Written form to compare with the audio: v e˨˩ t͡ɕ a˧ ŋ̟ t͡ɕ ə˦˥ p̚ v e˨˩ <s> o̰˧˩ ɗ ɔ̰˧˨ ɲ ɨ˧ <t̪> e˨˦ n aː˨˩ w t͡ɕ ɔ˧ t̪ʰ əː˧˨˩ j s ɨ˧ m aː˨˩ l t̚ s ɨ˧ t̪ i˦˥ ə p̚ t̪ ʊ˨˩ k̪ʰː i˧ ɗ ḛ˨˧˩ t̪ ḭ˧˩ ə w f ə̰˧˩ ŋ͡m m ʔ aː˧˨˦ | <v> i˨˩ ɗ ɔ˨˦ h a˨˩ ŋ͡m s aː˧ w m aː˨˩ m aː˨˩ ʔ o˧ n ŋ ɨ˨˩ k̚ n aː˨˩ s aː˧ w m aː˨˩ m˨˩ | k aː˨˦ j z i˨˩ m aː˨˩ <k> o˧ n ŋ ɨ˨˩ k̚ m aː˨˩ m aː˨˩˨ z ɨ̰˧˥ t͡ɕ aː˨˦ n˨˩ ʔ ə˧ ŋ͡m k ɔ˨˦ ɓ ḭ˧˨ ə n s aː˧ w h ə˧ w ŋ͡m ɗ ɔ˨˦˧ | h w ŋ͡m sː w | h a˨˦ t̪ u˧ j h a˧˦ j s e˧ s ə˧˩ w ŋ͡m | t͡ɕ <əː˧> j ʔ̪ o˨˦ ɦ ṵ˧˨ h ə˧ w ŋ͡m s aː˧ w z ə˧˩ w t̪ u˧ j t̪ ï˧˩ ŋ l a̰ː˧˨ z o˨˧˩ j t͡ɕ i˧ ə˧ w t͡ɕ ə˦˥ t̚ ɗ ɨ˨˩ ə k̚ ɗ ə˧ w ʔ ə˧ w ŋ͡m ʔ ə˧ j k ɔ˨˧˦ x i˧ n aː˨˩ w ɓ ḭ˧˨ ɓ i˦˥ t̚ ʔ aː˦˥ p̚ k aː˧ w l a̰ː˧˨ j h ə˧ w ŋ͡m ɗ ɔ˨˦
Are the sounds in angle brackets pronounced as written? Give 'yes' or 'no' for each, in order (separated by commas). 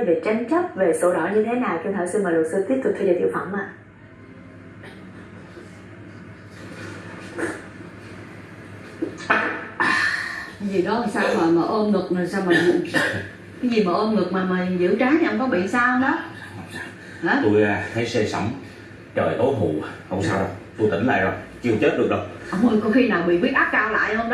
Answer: yes, no, no, no, no